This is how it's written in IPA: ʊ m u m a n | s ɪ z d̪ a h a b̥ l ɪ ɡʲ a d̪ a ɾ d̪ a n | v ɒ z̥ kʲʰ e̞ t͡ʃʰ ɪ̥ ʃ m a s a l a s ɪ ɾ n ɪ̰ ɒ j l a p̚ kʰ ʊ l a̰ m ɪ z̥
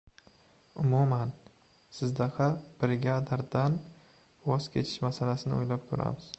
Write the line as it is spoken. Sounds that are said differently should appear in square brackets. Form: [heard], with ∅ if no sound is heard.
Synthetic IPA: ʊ m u m a n | s ɪ z d̪ a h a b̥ [ɾ] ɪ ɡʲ a d̪ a ɾ d̪ a n | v ɒ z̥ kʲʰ e̞ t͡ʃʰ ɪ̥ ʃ m a s a l a s ɪ [∅] n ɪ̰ [o] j l a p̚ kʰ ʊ [ɾ] a̰ m ɪ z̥